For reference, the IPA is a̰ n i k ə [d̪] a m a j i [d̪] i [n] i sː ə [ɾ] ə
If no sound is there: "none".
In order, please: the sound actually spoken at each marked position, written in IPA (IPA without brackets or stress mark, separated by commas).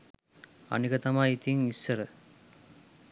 t̪, t̪, ŋ, ɾ